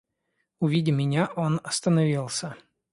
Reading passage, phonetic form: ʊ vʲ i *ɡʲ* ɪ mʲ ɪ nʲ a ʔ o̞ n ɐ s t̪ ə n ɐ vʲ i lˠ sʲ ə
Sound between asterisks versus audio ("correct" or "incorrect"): incorrect